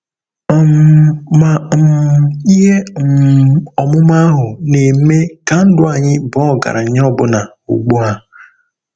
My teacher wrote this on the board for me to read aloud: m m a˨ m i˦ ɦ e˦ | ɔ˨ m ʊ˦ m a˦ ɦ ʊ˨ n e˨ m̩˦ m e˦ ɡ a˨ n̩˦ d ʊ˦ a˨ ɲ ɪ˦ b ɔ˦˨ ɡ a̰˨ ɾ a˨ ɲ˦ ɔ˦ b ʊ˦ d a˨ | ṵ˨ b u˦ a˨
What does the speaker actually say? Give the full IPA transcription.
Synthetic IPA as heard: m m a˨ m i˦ ɦ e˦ | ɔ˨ m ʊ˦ m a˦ ɦ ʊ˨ n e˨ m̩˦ m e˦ k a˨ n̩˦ d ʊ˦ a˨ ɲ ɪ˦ b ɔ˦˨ ɡ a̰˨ ɾ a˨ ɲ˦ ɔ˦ b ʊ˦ n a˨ | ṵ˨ ɡ͡b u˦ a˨